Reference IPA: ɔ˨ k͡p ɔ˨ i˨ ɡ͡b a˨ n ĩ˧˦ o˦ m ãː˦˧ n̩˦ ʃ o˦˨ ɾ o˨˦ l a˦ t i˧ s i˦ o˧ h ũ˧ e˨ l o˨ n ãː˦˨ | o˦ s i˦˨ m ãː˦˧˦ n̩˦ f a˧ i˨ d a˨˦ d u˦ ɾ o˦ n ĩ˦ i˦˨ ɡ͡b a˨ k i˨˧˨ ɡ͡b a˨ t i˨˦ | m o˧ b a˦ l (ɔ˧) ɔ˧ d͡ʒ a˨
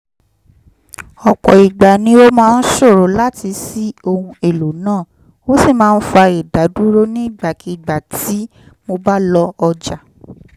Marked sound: correct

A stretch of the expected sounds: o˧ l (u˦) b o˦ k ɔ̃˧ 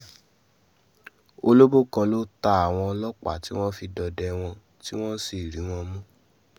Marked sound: incorrect: o˦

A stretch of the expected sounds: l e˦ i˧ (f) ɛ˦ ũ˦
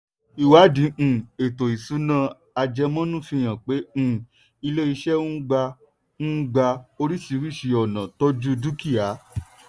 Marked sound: incorrect: ʃ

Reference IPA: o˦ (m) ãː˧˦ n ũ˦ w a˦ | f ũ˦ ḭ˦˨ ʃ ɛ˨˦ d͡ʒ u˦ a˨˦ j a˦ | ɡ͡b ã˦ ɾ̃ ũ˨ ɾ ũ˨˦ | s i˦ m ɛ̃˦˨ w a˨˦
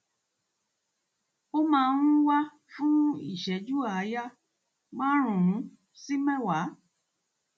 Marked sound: correct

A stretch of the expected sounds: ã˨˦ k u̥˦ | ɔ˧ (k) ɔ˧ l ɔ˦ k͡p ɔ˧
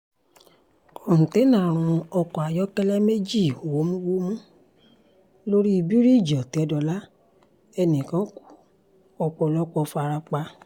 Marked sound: incorrect: k͡p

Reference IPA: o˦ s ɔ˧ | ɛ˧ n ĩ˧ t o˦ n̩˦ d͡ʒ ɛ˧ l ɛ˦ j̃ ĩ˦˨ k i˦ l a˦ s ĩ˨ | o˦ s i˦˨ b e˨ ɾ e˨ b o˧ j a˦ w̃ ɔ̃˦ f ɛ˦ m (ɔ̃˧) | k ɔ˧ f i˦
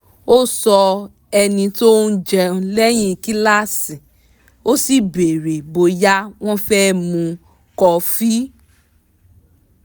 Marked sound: incorrect: ũ˧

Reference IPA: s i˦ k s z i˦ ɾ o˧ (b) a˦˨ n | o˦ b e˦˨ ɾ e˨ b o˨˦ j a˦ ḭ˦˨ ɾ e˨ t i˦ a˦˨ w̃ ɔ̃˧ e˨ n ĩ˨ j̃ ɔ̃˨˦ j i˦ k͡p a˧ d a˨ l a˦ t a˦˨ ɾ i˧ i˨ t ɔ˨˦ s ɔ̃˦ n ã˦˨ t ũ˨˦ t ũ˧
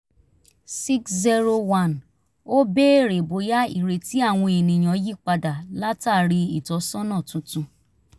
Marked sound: incorrect: w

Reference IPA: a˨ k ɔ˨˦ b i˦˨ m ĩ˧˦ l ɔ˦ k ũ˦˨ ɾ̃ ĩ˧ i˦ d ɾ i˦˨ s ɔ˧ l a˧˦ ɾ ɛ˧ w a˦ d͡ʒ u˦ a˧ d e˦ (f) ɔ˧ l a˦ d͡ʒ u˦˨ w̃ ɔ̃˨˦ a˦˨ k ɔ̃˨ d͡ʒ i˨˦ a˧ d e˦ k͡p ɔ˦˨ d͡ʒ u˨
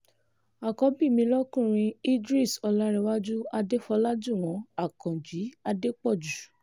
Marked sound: correct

